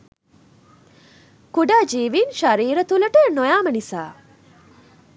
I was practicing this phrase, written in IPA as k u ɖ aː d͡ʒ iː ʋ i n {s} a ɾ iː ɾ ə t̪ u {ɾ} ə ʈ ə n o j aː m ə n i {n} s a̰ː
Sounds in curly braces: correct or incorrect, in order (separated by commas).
incorrect, incorrect, incorrect